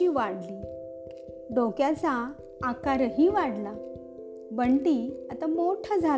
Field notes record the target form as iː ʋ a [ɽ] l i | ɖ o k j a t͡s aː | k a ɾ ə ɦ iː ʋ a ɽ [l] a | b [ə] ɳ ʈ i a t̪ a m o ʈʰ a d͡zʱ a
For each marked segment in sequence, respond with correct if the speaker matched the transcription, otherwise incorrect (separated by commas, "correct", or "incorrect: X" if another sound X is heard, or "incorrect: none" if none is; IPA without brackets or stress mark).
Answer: correct, correct, correct